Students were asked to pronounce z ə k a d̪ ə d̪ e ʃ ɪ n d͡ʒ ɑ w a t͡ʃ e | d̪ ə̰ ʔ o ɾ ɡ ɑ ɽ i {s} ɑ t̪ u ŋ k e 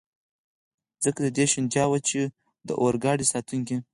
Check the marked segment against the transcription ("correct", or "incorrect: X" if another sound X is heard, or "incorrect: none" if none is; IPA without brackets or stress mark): correct